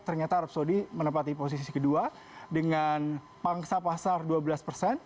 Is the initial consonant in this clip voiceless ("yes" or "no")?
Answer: yes